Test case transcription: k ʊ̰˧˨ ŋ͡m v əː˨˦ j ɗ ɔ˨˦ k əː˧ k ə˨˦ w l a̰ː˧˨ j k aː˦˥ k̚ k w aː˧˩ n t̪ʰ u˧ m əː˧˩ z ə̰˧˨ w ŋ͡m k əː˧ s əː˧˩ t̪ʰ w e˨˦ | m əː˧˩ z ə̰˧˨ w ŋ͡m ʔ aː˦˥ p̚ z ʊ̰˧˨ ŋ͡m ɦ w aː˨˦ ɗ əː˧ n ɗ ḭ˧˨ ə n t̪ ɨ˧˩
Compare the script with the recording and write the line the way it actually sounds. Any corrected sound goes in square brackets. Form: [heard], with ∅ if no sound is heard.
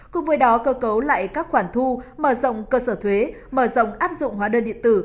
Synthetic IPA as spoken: k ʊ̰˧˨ ŋ͡m v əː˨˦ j ɗ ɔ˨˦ k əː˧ k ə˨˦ w l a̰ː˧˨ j k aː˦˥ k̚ [x] w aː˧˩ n t̪ʰ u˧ m əː˧˩ z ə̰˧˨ w ŋ͡m k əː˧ s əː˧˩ t̪ʰ w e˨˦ | m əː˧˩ z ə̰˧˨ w ŋ͡m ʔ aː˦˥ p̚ z ʊ̰˧˨ ŋ͡m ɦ w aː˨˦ ɗ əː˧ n ɗ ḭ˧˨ ə n t̪ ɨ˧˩

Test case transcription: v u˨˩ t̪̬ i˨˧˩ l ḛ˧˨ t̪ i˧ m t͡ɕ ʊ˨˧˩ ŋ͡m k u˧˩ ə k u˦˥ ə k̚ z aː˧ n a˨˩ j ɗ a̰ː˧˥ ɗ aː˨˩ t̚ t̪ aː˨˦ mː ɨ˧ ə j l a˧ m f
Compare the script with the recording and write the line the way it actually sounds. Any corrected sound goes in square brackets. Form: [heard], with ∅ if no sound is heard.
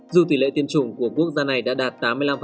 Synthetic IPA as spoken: [z] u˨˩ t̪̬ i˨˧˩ l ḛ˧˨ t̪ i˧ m t͡ɕ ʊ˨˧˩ ŋ͡m k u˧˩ ə k u˦˥ ə k̚ z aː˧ n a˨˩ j ɗ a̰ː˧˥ ɗ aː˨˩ t̚ t̪ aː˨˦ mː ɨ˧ ə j l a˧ m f

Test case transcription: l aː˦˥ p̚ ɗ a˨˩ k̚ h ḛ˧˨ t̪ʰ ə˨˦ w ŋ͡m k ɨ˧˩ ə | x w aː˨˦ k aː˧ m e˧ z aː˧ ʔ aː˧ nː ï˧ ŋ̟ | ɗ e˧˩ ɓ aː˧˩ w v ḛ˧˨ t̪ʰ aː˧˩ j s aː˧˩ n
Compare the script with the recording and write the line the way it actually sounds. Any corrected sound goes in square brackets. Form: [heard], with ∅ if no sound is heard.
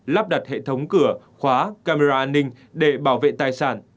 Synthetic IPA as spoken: l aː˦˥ p̚ ɗ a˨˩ [t̚] h ḛ˧˨ t̪ʰ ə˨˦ w ŋ͡m k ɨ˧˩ ə | x w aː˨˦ k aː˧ m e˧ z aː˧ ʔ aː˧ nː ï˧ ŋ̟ | ɗ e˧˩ ɓ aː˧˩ w v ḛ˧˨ [t̪] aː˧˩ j s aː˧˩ n

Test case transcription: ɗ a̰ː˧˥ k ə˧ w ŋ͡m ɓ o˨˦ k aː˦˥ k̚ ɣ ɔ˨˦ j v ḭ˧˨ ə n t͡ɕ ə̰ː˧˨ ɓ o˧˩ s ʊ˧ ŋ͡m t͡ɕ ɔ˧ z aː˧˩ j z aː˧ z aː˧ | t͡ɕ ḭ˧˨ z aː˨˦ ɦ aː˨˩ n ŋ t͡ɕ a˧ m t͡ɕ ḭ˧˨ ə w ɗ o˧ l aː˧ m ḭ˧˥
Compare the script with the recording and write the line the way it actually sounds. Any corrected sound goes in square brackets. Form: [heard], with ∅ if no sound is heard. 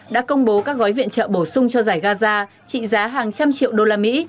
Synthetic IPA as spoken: ɗ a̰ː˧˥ k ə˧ w ŋ͡m ɓ o˨˦ k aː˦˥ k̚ ɣ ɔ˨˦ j v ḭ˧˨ ə n t͡ɕ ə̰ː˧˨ ɓ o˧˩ s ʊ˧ ŋ͡m t͡ɕ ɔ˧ z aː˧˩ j [ɣ] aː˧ z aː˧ | t͡ɕ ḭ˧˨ z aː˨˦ ɦ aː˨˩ [∅] ŋ t͡ɕ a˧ m t͡ɕ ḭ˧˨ ə w ɗ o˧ l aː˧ m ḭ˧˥

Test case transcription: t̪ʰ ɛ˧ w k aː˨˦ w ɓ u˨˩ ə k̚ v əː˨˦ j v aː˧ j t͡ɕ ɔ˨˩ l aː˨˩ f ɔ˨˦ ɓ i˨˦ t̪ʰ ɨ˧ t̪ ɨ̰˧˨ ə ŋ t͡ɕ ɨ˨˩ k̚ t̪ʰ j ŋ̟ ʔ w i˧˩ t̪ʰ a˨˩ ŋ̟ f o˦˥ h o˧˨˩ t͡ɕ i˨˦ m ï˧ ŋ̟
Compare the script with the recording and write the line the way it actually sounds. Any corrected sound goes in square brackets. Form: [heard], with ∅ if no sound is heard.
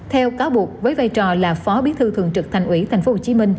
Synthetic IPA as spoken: t̪ʰ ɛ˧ w k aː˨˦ w ɓ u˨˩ ə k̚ v əː˨˦ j v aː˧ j t͡ɕ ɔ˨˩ l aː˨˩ f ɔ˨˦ ɓ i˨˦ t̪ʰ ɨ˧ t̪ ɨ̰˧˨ ə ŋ t͡ɕ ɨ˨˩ k̚ t̪ʰ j ŋ̟ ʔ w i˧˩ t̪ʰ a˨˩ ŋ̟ f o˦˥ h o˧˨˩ t͡ɕ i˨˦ m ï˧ ŋ̟

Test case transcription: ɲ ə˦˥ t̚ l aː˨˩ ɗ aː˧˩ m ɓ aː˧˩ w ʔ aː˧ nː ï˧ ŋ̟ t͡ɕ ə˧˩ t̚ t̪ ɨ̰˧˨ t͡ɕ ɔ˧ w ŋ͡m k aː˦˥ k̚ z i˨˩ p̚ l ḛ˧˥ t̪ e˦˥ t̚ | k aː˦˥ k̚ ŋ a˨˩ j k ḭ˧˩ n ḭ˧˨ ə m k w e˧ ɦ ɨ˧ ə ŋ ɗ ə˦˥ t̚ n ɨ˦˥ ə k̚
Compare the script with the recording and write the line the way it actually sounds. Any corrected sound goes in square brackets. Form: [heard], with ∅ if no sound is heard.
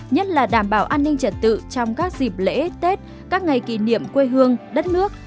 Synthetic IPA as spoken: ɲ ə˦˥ t̚ l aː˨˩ ɗ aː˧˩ m ɓ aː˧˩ w ʔ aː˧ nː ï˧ ŋ̟ t͡ɕ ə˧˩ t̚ t̪ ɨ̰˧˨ t͡ɕ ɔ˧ w ŋ͡m k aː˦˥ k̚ z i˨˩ p̚ l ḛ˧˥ t̪ e˦˥ t̚ | k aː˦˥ k̚ ŋ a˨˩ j k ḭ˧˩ n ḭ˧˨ ə m k w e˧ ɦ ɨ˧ ə ŋ ɗ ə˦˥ t̚ n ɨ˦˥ ə k̚

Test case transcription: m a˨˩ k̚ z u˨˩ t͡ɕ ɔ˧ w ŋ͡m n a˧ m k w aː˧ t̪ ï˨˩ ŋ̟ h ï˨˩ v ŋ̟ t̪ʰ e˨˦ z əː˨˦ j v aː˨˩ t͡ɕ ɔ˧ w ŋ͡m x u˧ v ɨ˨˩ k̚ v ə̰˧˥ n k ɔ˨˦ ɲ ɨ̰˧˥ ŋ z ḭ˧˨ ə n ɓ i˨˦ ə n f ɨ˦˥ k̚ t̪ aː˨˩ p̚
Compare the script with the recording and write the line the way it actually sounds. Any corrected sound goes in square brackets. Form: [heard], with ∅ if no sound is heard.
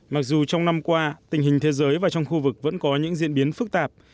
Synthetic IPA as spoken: m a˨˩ k̚ z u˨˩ t͡ɕ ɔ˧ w ŋ͡m n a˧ m k w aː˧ t̪ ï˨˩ ŋ̟ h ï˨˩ [∅] ŋ̟ t̪ʰ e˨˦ z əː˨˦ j v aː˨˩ t͡ɕ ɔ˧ w ŋ͡m x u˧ v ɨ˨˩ k̚ v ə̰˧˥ n k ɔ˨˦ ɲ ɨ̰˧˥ ŋ z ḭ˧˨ ə n ɓ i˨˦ ə n f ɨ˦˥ k̚ t̪ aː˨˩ p̚

